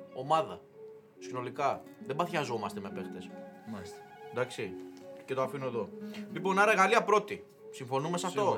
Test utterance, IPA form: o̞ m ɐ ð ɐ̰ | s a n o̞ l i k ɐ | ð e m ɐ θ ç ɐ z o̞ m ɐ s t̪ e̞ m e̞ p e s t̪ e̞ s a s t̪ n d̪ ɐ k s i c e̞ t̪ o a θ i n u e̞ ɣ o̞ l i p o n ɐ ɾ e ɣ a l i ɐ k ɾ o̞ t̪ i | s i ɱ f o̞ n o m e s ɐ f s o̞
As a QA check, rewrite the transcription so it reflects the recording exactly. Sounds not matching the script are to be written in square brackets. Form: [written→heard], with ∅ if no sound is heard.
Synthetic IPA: o̞ m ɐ ð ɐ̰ | s [a→i] n o̞ l i k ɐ | ð e [m→b] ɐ θ ç ɐ z o̞ m ɐ s t̪ e̞ m e̞ p e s t̪ e̞ s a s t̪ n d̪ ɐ k s i c e̞ t̪ o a [θ→f] i n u e̞ [ɣ→ð] o̞ l i p o n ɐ ɾ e ɣ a l i ɐ [k→p] ɾ o̞ t̪ i | s i ɱ f o̞ n [o→u] m e s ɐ f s o̞